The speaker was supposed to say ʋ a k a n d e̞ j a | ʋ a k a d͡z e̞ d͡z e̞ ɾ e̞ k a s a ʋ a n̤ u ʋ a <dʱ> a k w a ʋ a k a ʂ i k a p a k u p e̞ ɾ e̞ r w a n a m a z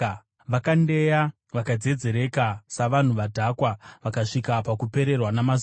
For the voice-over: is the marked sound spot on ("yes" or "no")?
yes